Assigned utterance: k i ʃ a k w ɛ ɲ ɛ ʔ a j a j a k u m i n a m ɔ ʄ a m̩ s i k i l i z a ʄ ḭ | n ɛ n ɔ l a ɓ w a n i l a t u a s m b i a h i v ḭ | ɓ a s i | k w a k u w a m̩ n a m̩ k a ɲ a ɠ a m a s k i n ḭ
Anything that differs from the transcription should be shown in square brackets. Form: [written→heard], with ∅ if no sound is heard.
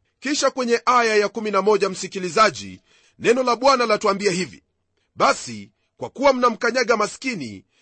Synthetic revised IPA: k i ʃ a k w ɛ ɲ ɛ ʔ a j a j a k u m i n a m ɔ ʄ a m̩ s i k i l i z a ʄ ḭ | n ɛ n ɔ l a ɓ w a n [i→a] l a t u a [s→∅] m b i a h i v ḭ | ɓ a s i | k w a k u w a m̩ n a m̩ k a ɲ a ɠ a m a s k i n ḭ